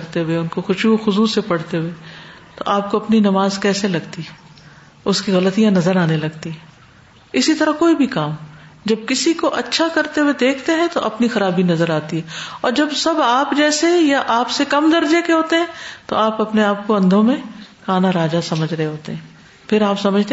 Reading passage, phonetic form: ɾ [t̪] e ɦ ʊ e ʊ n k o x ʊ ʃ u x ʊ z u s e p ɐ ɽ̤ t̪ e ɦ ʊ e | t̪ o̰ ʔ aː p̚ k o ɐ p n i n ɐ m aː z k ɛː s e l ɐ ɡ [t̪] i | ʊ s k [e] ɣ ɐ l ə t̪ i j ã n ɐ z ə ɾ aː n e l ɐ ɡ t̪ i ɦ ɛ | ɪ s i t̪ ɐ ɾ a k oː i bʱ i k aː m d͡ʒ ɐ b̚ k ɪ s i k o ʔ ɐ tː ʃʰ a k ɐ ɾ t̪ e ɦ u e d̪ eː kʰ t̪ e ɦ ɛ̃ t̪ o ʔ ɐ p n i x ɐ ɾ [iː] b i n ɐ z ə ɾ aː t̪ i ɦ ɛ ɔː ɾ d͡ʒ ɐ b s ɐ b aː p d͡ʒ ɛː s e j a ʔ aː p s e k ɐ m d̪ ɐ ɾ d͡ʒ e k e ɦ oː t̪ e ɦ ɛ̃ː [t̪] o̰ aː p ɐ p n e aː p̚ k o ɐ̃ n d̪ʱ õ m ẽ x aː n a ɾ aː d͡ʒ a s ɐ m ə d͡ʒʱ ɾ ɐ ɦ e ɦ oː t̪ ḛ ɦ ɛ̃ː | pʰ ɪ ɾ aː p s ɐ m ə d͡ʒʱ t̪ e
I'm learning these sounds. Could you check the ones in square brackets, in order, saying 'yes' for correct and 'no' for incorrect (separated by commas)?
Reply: yes, yes, no, no, yes